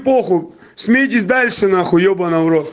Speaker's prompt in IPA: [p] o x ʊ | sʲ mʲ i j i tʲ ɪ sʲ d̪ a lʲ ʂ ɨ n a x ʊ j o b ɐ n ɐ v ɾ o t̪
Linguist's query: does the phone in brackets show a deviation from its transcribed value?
no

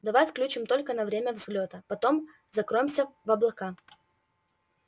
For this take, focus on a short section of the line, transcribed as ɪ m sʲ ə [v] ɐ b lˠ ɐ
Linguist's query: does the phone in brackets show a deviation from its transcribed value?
no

